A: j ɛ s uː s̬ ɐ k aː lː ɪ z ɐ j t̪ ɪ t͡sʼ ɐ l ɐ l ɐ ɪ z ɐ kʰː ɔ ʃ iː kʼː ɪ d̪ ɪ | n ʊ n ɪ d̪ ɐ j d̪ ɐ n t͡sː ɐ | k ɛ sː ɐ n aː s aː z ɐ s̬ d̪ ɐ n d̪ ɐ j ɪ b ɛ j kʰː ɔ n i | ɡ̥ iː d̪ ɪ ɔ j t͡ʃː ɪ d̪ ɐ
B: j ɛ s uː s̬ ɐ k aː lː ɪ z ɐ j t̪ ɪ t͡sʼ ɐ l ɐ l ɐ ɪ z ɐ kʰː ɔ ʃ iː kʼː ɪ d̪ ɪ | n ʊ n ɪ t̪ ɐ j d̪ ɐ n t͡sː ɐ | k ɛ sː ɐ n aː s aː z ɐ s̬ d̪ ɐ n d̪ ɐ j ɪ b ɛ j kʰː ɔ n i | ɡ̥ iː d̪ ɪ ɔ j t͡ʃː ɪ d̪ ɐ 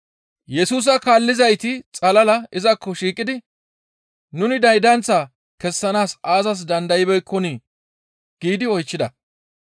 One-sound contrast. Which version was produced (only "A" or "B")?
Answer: A